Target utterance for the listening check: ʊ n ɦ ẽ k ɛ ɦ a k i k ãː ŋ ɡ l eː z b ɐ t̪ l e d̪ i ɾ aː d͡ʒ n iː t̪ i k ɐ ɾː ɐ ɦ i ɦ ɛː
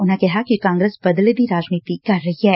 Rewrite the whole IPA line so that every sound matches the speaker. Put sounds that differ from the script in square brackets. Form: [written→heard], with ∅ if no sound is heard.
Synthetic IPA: ʊ n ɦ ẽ k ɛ ɦ a k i k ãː ŋ ɡ [l→ɾ] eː [z→s] b ɐ [t̪→d̪] l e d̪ i ɾ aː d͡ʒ n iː t̪ i k ɐ ɾː ɐ ɦ i ɦ ɛː